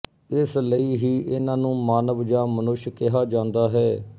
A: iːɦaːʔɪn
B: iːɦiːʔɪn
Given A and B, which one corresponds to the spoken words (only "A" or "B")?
B